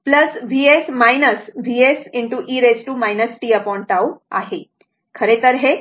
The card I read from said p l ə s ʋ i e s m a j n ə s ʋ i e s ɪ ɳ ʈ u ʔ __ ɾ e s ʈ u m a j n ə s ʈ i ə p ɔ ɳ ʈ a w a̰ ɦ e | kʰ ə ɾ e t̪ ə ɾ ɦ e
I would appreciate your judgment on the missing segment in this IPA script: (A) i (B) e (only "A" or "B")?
A